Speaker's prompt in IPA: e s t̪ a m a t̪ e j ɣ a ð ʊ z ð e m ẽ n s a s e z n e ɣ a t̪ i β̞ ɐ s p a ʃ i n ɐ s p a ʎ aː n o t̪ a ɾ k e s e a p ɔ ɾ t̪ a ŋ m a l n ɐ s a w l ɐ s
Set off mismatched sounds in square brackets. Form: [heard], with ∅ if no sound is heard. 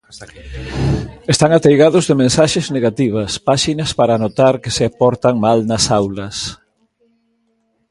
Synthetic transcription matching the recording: e s t̪ a [ŋ] a t̪ e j ɣ a ð ʊ z ð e m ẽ n s a [ʃ] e z n e ɣ a t̪ i β̞ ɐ s p a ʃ i n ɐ s p a [ɾ] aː n o t̪ a ɾ k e s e a p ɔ ɾ t̪ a ŋ m a l n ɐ s a w l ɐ s